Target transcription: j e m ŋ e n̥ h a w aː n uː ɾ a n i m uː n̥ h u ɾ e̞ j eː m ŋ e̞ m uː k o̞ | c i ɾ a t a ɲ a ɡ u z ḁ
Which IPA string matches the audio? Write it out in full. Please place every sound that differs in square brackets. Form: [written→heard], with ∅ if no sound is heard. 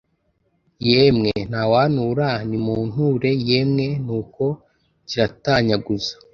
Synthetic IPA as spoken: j e m ŋ e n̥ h a w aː n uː ɾ a n i m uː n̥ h u ɾ e̞ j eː m ŋ e̞ [m→n] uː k o̞ | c i ɾ a t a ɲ a ɡ u z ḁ